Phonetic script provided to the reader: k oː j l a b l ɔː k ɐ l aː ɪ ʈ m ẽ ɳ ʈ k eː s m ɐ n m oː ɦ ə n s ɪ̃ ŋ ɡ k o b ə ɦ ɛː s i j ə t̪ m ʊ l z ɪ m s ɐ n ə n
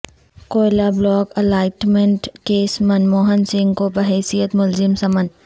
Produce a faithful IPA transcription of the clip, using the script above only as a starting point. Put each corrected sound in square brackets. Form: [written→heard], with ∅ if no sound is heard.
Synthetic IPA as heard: k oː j l a b l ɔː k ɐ l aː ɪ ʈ m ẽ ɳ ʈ k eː s m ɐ n m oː ɦ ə n s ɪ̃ ŋ ɡ k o b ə ɦ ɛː s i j ə t̪ m ʊ l z ɪ m s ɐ [n→m] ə n